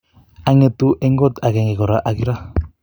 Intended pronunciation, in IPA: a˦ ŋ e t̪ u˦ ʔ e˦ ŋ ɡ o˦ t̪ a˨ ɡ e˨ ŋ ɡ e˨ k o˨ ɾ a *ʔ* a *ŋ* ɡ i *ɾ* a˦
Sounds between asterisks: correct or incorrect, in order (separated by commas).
correct, incorrect, correct